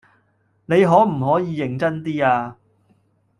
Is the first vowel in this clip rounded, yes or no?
no